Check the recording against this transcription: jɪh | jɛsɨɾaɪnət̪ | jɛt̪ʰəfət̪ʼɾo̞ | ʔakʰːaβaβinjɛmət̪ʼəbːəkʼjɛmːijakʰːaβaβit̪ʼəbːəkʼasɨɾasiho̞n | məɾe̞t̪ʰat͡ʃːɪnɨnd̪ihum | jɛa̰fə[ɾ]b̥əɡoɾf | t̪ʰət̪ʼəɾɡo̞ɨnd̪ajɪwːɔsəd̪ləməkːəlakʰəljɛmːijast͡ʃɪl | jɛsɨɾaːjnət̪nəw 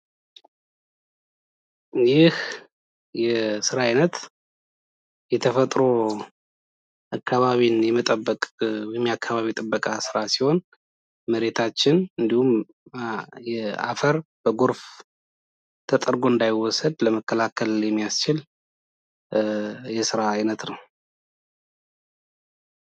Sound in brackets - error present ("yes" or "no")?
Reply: no